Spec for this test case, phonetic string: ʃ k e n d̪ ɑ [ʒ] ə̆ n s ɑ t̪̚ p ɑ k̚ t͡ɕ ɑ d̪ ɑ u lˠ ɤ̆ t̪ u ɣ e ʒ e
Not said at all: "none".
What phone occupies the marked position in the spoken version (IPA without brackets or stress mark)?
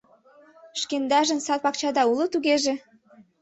ʒ